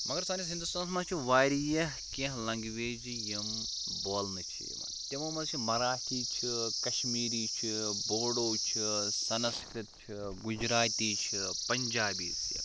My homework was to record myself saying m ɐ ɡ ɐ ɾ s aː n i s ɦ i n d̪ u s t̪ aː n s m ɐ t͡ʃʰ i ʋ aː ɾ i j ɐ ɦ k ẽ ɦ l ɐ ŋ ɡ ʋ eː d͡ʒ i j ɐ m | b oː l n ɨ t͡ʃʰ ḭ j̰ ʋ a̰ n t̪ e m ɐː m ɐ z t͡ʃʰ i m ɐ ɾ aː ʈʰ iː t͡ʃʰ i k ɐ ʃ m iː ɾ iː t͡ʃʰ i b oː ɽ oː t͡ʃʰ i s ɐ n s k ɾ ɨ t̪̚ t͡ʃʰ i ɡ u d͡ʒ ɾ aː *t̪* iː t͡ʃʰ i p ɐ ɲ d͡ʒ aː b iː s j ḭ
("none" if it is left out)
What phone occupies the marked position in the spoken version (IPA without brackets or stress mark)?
t̪